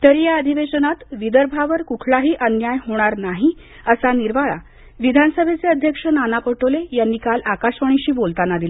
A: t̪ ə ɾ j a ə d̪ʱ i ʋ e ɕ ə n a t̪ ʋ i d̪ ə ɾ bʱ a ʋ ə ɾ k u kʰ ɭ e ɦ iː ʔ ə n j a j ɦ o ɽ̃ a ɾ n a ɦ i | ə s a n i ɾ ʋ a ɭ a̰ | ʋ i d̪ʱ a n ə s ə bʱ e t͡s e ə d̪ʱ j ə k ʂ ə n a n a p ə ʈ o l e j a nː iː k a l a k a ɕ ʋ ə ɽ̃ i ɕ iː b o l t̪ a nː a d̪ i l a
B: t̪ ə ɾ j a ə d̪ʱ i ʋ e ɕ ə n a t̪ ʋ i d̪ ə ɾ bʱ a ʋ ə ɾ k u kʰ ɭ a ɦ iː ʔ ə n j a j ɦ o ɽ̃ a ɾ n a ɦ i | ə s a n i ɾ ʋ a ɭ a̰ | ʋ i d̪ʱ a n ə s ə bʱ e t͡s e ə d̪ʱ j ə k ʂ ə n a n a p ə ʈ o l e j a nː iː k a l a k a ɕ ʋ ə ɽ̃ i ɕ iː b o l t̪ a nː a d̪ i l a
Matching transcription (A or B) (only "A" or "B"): B